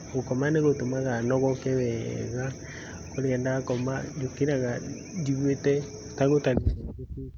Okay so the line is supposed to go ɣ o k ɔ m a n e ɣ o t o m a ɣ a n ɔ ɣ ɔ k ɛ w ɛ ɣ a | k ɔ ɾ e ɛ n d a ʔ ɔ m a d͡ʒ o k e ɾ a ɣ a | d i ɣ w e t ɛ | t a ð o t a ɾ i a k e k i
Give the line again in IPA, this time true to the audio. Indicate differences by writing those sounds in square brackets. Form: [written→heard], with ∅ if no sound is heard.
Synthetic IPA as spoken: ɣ o k ɔ m a n e ɣ o t o m a ɣ a n ɔ ɣ ɔ k ɛ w ɛ ɣ a | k [ɔ→o] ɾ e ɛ n d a [ʔ→k] ɔ m a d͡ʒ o k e ɾ a ɣ a | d i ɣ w e t ɛ | t a [ð→ɣ] o t a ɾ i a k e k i